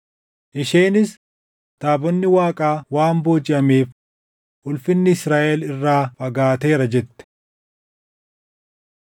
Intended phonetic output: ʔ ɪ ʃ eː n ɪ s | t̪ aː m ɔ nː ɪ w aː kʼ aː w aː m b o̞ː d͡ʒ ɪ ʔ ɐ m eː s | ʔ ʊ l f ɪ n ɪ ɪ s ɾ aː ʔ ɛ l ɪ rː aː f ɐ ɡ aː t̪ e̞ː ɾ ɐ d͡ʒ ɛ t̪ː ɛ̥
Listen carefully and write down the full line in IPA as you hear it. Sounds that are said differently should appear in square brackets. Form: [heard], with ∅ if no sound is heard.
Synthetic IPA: ʔ ɪ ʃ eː n ɪ s | t̪ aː [b] ɔ nː ɪ w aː kʼ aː w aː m b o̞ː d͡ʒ ɪ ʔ ɐ m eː [f] | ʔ ʊ l f ɪ [nː] ɪ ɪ s ɾ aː ʔ ɛ l ɪ rː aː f ɐ ɡ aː t̪ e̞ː ɾ ɐ d͡ʒ ɛ t̪ː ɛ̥